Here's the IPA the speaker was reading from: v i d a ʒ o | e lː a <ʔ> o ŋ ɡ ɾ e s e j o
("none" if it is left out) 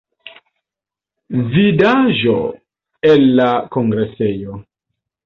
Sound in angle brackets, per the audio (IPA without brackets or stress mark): k